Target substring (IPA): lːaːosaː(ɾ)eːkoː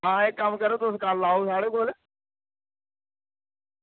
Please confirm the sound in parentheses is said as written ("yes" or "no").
no